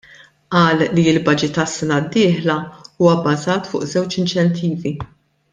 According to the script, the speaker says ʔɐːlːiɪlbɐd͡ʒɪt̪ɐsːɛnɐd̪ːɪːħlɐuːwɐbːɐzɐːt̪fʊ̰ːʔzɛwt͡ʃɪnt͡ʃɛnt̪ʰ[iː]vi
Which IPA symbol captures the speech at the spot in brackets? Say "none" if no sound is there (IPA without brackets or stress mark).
iː